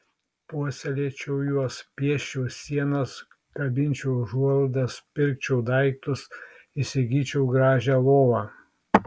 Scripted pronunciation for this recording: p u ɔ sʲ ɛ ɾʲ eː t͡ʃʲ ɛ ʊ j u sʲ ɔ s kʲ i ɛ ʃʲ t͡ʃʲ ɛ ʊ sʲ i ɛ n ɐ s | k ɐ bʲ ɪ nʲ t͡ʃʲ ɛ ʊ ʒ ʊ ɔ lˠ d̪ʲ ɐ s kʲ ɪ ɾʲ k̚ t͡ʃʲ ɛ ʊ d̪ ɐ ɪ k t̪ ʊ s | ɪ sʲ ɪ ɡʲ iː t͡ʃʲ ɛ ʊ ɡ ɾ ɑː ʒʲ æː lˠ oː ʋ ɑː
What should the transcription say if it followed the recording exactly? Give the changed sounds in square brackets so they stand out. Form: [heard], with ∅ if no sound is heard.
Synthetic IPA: p u ɔ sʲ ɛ [lʲ] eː t͡ʃʲ ɛ ʊ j u [∅] ɔ s [pʲ] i ɛ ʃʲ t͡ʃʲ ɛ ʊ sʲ i ɛ n ɐ s | k ɐ bʲ ɪ nʲ t͡ʃʲ ɛ ʊ ʒ [u] ɔ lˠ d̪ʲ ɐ s [pʲ] ɪ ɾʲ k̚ t͡ʃʲ ɛ ʊ d̪ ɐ ɪ k t̪ ʊ s | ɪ sʲ ɪ ɡʲ iː t͡ʃʲ ɛ ʊ ɡ ɾ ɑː ʒʲ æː lˠ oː ʋ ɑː